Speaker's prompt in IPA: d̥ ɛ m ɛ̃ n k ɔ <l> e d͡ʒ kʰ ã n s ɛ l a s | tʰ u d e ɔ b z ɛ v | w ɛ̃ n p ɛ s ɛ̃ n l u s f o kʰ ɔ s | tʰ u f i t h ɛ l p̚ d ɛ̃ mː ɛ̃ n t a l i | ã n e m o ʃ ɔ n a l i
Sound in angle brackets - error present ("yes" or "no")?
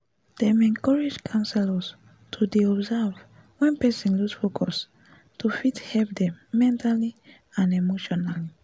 yes